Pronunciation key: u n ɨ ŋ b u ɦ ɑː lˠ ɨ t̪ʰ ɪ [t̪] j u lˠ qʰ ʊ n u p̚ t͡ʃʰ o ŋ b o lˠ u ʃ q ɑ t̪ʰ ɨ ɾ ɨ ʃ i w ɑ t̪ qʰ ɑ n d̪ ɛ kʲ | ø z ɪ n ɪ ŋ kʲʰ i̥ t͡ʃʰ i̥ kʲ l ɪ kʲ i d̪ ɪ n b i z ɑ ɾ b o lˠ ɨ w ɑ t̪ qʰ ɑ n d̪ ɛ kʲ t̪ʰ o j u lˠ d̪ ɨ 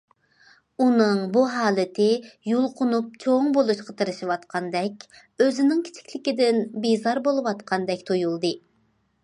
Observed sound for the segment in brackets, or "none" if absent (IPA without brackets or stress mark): none